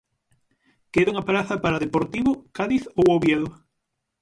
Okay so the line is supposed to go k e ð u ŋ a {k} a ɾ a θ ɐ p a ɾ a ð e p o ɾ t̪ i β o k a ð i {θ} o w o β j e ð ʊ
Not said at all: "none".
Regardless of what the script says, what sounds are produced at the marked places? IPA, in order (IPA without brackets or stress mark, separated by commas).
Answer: p, θ